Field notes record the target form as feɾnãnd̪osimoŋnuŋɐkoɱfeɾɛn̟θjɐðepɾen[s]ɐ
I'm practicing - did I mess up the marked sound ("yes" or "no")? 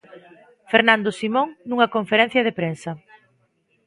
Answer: no